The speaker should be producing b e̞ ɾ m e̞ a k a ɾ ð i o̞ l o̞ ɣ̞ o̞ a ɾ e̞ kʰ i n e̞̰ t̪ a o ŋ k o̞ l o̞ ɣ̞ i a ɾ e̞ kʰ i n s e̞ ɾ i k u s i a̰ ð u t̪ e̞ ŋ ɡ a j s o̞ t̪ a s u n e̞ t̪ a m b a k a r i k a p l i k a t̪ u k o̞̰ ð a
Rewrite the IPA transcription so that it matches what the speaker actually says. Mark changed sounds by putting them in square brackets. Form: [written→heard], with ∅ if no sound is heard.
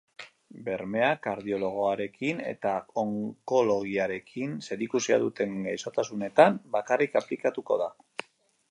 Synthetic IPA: b e̞ ɾ m e̞ a k a ɾ ð i o̞ l o̞ ɣ̞ o̞ a ɾ e̞ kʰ i n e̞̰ t̪ a o ŋ k o̞ l o̞ ɣ̞ i a ɾ e̞ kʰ i n s e̞ ɾ i k u s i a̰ ð u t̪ e̞ ŋ ɡ a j s o̞ t̪ a s u n e̞ t̪ a m b a k a r i k a p l i k a t̪ u k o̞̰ ð a

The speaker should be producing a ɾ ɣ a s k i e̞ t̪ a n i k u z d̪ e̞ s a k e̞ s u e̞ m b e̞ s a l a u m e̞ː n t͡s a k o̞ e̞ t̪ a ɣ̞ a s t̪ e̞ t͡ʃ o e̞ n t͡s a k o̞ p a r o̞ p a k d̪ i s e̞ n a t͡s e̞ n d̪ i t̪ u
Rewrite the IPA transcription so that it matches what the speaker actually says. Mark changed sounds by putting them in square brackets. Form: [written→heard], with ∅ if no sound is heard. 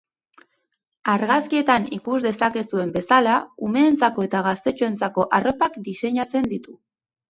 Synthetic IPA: a ɾ ɣ a s k i e̞ t̪ a n i k u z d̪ e̞ s a k e̞ s u e̞ m b e̞ s a l a u m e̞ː n t͡s a k o̞ e̞ t̪ a ɣ̞ a s t̪ e̞ t͡ʃ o e̞ n t͡s a k o̞ [p→ʔ] a r o̞ p a k d̪ i s e̞ [n→ɲ] a t͡s e̞ n d̪ i t̪ u

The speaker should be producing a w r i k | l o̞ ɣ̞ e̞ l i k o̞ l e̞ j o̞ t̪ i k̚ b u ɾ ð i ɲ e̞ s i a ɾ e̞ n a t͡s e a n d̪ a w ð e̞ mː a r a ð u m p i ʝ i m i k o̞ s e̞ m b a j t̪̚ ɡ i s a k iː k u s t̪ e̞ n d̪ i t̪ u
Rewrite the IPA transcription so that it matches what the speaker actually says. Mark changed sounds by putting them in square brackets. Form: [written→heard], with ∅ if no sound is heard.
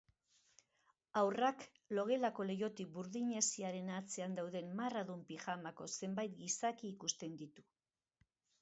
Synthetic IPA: a w r [i→a] k | l o̞ ɣ̞ e̞ l [i→a] k o̞ l e̞ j o̞ t̪ i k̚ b u ɾ ð i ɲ e̞ s i a ɾ e̞ n a t͡s e a n d̪ a w ð e̞ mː a r a ð u m p i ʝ [i→a] m [i→a] k o̞ s e̞ m b a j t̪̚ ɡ i s a k iː k u s t̪ e̞ n d̪ i t̪ u

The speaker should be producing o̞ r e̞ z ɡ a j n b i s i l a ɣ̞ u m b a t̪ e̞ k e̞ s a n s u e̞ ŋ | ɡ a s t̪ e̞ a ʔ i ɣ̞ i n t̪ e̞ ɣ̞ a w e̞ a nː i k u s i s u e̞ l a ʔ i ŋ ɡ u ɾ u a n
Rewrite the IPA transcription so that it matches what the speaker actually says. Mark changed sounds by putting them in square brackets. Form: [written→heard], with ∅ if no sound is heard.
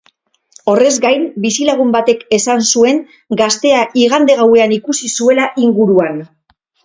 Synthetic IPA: o̞ r e̞ z ɡ a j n b i s i l a ɣ̞ u m b a t̪ e̞ k e̞ s a n s u e̞ ŋ | ɡ a s t̪ e̞ a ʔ i ɣ̞ [i→a] n [t̪→d̪] e̞ ɣ̞ a w e̞ a [nː→n] i k u s i s u e̞ l a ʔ i ŋ ɡ u ɾ u a n

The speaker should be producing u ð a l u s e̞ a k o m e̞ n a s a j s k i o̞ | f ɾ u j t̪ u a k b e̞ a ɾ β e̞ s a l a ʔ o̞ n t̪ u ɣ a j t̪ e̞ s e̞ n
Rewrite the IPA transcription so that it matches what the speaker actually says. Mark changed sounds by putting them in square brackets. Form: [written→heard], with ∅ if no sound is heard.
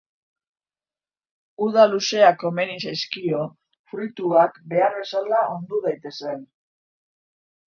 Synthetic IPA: u ð a l u s e̞ a k o m e̞ n [a→i] s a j s k i o̞ | f ɾ u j t̪ u a k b e̞ a ɾ β e̞ s a l a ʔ o̞ n [t̪→d̪] u [ɣ→ð] a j t̪ e̞ s e̞ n

